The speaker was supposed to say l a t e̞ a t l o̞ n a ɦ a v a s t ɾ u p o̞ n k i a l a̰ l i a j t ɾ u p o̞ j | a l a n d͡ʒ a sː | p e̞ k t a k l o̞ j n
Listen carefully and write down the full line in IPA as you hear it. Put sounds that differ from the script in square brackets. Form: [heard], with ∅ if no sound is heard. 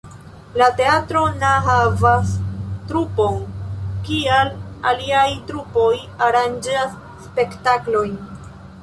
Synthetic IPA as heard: l a t e̞ a t [ɾ] o̞ n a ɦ a v a s t ɾ u p o̞ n k i a l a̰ l i a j t ɾ u p o̞ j | a [ɾ] a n d͡ʒ a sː | p e̞ k t a k l o̞ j n